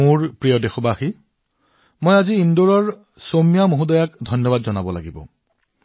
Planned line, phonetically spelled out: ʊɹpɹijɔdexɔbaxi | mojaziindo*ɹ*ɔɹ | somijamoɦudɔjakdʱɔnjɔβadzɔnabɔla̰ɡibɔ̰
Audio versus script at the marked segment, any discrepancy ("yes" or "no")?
no